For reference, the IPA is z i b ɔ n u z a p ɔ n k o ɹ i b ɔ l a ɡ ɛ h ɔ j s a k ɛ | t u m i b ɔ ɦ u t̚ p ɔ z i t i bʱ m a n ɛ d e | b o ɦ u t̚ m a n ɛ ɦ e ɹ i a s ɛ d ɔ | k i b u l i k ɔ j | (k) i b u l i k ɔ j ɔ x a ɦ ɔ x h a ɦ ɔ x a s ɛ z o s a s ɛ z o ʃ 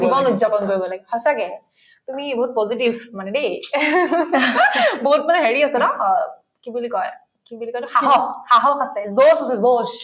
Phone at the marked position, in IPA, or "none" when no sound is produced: k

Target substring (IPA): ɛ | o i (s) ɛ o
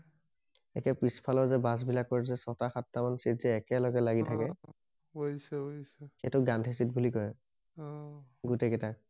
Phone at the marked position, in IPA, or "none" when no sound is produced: s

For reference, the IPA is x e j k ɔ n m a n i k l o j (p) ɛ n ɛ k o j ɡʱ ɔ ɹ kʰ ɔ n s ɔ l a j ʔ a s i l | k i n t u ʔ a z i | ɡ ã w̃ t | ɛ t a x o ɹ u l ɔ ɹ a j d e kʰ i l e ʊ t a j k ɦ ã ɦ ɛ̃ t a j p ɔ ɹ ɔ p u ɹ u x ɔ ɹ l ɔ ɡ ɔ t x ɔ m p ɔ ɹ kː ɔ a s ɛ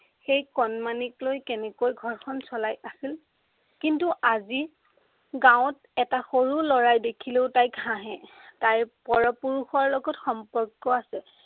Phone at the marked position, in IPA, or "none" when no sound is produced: k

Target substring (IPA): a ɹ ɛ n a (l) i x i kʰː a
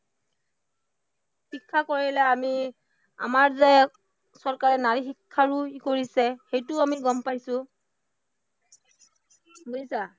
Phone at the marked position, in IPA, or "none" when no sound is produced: ɹ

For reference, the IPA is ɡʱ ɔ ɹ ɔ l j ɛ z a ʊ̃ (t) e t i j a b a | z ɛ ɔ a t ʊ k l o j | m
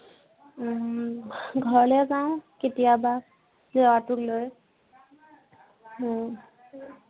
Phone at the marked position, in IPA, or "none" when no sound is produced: k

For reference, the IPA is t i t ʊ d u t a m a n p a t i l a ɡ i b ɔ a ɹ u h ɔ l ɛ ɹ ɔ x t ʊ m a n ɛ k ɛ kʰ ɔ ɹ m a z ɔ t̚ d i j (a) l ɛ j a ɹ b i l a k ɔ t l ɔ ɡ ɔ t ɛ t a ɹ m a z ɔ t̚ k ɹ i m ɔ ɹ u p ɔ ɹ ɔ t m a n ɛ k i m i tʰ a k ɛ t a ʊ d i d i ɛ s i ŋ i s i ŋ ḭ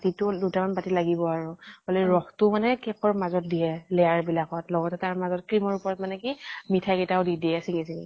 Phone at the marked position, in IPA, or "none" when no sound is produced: ɛ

